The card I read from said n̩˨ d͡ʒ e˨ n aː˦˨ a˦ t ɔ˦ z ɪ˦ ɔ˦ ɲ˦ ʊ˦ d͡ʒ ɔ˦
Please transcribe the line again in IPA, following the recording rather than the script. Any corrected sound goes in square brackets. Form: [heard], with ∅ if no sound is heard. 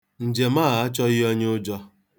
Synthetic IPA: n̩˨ d͡ʒ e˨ [m] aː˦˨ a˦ [t͡ʃ] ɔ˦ [ɣ] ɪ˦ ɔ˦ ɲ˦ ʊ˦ d͡ʒ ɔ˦